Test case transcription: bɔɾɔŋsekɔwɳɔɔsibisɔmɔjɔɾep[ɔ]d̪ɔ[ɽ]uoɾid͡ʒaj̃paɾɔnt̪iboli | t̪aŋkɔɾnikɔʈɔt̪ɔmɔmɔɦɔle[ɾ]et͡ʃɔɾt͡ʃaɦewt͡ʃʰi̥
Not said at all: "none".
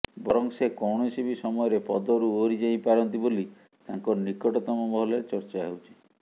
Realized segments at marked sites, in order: ɔ, ɾ, ɾ

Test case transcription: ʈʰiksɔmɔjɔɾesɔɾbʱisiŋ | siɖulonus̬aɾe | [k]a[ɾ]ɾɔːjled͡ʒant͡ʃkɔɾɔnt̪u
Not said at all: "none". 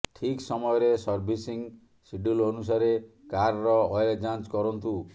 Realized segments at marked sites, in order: k, ɾ

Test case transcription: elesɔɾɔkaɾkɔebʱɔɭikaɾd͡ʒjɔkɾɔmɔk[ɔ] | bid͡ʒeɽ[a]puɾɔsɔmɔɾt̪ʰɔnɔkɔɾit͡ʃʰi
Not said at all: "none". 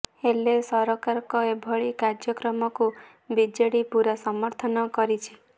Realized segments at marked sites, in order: u, i

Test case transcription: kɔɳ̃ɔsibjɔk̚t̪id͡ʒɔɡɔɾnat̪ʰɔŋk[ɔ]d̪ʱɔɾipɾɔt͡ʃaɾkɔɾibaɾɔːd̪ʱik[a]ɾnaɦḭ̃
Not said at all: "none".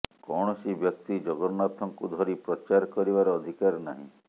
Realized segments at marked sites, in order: u, a

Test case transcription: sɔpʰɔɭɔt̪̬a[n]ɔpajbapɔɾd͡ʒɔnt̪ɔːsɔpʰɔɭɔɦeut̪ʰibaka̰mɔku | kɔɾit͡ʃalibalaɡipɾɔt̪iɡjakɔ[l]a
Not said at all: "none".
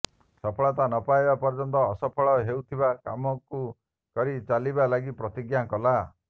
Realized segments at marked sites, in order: n, l

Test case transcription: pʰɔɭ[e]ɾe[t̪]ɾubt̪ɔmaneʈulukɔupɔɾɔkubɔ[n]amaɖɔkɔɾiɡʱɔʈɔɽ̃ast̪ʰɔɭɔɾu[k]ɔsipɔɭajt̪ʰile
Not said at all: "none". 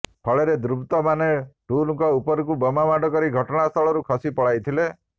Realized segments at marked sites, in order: e, d̪, m, kʰ

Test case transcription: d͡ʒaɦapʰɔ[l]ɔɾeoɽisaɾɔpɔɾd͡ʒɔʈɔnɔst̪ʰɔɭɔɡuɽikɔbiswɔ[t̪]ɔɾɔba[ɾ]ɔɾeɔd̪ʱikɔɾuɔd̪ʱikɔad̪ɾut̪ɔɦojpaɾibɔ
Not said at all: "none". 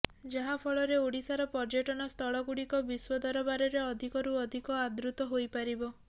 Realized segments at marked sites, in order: ɭ, d̪, ɾ

